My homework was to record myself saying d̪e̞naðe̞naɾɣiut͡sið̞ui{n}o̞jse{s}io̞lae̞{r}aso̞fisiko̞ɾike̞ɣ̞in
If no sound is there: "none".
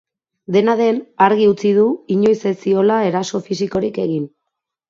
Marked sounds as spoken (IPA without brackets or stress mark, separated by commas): ɲ, s, ɾ